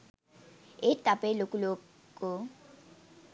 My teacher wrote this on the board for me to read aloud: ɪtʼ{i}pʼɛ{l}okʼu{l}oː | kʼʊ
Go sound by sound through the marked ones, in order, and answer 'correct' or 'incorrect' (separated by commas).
incorrect, correct, correct